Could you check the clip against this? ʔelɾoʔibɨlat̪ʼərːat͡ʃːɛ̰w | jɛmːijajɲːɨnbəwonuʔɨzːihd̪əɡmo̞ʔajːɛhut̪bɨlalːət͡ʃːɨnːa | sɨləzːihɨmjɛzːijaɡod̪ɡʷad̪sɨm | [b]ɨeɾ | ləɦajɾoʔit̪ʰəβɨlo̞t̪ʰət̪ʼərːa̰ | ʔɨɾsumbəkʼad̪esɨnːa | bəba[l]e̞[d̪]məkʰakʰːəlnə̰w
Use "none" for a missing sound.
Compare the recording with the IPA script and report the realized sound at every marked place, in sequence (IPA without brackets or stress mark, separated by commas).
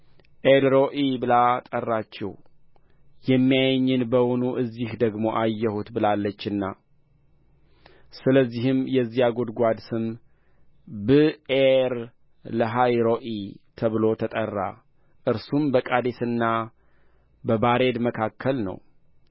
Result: b, ɾ, d̪